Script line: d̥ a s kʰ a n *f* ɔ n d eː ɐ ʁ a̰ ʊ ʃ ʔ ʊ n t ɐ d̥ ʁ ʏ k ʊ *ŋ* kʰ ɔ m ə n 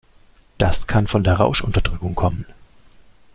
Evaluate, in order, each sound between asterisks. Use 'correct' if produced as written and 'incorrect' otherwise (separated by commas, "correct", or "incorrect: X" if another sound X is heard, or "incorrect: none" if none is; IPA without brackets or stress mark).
correct, correct